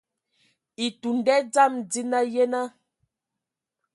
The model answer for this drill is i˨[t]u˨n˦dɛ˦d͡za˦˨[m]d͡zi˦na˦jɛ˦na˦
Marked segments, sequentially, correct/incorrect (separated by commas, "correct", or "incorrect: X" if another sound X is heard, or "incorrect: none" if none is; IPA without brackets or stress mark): correct, correct